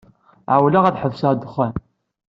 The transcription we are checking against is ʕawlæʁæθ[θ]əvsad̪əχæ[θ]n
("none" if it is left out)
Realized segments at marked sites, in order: ħ, none

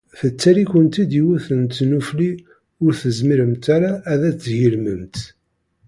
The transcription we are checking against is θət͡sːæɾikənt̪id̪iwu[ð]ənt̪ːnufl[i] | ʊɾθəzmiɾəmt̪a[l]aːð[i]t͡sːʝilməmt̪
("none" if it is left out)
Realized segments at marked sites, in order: θ, i, ɾ, æ

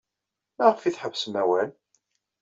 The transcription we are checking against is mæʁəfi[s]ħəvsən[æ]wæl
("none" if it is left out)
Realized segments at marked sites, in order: θ, æ

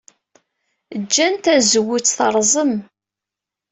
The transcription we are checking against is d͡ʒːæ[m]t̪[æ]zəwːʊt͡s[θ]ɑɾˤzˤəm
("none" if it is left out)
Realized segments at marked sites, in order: n, æ, θ

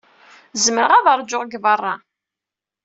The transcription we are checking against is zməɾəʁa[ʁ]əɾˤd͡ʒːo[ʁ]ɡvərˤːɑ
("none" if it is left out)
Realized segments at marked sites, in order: ð, ʁ

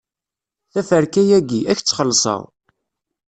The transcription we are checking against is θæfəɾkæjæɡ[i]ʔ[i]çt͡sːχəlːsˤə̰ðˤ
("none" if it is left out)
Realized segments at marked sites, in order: i, æ

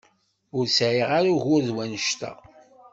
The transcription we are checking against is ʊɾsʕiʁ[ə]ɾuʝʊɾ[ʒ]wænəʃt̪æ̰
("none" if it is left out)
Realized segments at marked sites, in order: a, ð

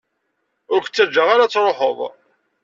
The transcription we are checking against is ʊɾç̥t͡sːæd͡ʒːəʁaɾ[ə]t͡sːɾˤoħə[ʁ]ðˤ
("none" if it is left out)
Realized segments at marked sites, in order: a, none

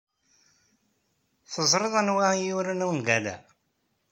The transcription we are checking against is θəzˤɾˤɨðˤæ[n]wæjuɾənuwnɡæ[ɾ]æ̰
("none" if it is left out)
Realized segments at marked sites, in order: n, l

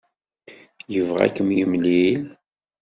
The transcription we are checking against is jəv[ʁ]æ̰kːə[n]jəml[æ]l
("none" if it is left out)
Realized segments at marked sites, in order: ʁ, m, i

